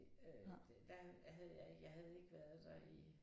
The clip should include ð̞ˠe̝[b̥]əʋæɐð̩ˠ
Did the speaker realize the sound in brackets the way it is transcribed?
no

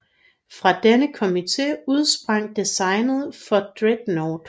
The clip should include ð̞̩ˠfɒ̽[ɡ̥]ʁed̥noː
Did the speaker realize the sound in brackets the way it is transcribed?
no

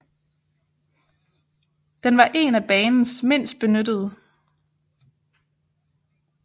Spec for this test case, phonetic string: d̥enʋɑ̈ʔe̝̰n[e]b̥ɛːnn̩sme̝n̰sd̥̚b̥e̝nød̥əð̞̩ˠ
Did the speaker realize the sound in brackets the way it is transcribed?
no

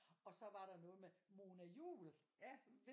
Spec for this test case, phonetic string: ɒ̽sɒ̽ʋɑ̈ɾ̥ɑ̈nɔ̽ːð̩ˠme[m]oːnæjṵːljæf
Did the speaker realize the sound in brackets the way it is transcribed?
yes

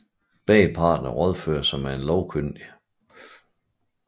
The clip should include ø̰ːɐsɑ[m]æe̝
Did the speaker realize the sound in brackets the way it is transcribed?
yes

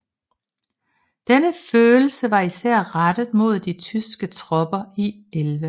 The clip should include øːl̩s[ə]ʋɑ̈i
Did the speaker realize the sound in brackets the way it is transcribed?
yes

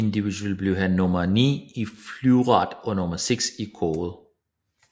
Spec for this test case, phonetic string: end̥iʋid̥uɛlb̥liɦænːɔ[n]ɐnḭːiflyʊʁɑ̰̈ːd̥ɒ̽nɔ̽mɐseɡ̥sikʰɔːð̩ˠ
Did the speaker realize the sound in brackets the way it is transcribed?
no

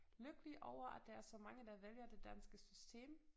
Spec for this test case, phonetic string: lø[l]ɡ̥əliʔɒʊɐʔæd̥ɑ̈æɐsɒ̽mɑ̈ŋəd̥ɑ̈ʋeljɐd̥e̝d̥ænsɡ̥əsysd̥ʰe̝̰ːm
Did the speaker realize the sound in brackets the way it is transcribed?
no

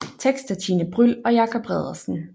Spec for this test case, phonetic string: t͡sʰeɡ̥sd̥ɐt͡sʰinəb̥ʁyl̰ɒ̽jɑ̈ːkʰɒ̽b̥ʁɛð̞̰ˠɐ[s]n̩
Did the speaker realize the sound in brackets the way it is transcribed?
yes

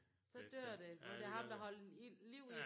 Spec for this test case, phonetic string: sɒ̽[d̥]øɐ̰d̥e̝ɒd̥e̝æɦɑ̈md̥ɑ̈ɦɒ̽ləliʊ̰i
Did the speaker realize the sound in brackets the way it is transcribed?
yes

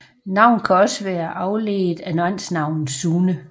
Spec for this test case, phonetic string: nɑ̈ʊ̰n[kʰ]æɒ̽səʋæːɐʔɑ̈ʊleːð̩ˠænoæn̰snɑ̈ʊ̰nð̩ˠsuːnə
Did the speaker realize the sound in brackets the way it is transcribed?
yes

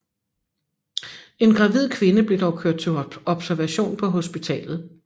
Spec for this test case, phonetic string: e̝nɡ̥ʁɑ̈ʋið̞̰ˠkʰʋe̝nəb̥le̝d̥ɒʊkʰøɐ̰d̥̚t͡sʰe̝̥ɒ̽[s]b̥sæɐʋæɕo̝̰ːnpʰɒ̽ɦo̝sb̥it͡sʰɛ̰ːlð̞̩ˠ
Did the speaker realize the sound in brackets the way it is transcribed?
no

